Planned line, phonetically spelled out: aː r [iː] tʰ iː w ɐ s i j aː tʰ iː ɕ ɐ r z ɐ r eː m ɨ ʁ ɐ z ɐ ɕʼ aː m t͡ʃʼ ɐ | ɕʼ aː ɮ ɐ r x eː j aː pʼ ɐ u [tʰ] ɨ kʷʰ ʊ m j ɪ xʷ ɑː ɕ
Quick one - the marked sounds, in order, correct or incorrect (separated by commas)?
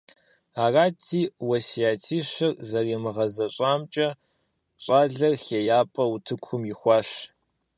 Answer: incorrect, correct